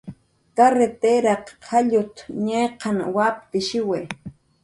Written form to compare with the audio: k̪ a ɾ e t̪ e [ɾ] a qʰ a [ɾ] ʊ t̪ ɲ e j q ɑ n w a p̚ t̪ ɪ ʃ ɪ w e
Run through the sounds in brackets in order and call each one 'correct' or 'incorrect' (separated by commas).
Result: correct, incorrect